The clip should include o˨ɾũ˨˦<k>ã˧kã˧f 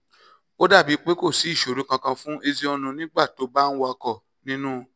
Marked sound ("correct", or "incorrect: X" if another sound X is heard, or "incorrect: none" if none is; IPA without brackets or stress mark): correct